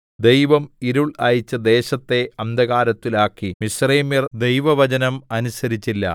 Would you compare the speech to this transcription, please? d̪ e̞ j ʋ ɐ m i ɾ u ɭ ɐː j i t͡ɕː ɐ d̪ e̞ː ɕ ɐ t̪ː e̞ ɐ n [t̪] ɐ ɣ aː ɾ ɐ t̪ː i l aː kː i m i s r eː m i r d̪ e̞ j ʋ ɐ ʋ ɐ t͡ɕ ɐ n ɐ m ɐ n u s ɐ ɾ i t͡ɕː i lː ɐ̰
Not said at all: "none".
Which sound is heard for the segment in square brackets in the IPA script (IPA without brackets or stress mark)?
d̪